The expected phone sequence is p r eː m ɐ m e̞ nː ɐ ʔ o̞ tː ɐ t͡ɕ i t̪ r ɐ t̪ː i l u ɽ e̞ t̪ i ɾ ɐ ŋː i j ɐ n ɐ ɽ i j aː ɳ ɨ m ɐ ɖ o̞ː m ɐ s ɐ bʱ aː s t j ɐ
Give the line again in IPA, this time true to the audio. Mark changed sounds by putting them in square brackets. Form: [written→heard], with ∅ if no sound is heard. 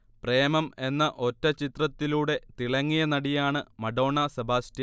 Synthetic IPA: p r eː m ɐ m e̞ nː ɐ ʔ o̞ tː ɐ t͡ɕ i t̪ r ɐ t̪ː i l [u→uː] ɽ e̞ t̪ i [ɾ→ɭ] ɐ ŋː i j ɐ n ɐ ɽ i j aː ɳ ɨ m ɐ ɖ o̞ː [m→ɳ] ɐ s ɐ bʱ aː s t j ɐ